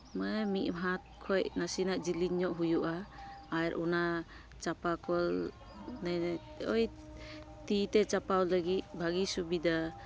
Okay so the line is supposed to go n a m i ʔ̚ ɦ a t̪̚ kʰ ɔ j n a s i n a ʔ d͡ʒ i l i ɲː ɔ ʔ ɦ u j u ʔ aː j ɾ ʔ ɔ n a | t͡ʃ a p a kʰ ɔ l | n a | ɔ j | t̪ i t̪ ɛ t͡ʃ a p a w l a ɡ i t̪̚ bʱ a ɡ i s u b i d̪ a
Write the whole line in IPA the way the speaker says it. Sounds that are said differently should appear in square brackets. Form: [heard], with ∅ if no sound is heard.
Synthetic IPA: [m] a m i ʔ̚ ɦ a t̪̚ kʰ ɔ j n a s i n a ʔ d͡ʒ i l i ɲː ɔ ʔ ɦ u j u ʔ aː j ɾ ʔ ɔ n a | t͡ʃ a p a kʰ ɔ l | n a | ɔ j | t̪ i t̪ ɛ t͡ʃ a p a w l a ɡ i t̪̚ bʱ a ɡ i s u b i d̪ a